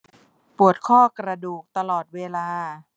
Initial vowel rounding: rounded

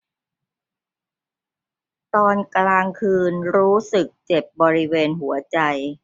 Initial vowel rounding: rounded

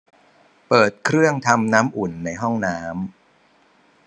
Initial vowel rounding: unrounded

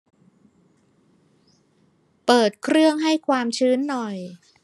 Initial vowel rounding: unrounded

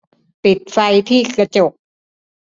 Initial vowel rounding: unrounded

